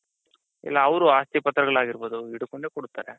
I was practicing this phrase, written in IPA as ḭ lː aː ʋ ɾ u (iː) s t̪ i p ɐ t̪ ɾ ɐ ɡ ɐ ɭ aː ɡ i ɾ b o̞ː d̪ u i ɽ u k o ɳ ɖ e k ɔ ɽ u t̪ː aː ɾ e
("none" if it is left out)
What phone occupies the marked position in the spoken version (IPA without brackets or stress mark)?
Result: aː